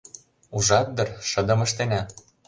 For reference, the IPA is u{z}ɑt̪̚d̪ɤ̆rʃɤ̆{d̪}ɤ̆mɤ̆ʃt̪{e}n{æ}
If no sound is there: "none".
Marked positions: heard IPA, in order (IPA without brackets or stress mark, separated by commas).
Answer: ʒ, d̪, e, æ